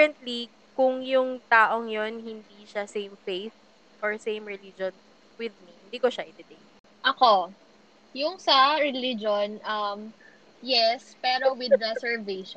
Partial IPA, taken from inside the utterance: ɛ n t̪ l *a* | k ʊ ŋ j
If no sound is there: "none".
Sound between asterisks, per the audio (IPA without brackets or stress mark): i